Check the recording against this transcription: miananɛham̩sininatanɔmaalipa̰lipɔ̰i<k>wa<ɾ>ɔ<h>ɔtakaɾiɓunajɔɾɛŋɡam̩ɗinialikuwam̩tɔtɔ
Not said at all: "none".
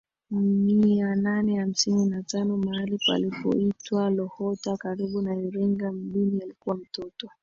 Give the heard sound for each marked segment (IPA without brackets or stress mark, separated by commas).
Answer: t, l, h